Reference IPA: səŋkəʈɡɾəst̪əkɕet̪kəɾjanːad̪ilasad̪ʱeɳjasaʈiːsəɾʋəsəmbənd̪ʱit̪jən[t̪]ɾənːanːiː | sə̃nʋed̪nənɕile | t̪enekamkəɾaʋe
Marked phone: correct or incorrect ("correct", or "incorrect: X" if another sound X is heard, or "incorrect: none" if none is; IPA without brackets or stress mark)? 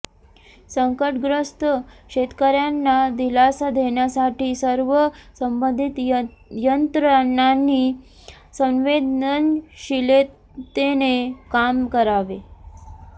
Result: correct